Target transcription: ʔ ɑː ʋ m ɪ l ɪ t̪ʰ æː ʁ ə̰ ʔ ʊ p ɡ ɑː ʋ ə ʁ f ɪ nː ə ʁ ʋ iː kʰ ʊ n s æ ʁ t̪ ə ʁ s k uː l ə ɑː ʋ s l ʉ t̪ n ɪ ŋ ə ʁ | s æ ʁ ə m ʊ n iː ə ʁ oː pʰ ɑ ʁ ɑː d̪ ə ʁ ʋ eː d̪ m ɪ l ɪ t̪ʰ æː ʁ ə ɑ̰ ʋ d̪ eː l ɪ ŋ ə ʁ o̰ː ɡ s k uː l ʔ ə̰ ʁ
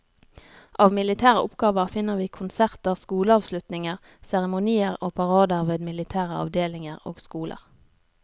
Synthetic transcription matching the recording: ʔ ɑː ʋ m ɪ l ɪ t̪ʰ æː ʁ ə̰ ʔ ʊ p ɡ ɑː ʋ ə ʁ f ɪ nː ə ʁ ʋ iː kʰ ʊ n s æ ʁ t̪ ə ʁ s k uː l ə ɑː ʋ s l ʉ t̪ n ɪ ŋ ə ʁ | s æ ʁ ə m ʊ n iː ə ʁ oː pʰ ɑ ʁ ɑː d̪ ə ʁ ʋ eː d̪ m ɪ l ɪ t̪ʰ æː ʁ ə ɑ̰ ʋ d̪ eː l ɪ ŋ ə ʁ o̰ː ɡ s k uː l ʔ ə̰ ʁ